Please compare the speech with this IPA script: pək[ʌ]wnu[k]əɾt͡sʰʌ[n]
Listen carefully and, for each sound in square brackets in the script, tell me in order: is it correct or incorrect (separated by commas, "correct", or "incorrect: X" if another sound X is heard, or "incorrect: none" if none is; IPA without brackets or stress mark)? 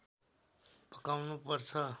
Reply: incorrect: a, incorrect: p, incorrect: none